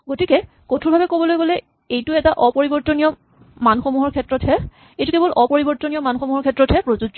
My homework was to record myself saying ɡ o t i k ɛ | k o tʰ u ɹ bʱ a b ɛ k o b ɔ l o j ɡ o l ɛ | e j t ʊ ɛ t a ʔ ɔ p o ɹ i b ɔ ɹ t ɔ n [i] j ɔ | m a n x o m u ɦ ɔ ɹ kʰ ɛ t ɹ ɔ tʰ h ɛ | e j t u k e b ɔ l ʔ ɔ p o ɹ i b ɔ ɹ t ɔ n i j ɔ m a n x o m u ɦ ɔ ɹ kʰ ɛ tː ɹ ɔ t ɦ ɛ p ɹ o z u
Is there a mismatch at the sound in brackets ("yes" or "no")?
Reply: no